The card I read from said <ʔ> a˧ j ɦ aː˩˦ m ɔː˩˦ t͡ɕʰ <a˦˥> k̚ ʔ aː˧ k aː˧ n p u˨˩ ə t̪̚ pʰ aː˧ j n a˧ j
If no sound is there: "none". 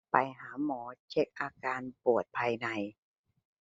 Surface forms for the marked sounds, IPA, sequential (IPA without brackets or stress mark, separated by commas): p, e˦˥